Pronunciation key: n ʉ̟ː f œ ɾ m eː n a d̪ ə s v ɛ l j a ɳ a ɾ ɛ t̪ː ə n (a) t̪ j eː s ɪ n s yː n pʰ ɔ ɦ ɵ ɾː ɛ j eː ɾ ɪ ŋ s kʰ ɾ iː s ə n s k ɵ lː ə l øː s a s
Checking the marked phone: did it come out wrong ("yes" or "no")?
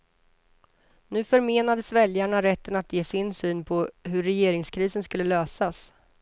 no